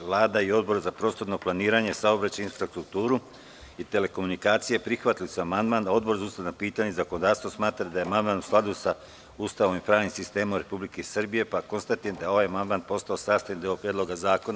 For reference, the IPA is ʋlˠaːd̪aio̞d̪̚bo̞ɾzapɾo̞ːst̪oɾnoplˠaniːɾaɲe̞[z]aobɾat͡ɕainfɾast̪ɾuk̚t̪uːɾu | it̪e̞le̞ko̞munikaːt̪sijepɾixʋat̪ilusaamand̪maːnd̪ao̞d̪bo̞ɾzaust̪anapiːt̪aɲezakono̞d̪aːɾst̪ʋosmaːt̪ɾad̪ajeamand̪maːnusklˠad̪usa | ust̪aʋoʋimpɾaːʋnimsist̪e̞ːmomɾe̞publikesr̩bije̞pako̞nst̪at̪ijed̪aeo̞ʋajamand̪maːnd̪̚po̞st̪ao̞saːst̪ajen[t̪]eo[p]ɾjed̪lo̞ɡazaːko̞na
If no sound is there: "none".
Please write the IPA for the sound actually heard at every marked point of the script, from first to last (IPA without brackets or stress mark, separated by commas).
s, d̪, p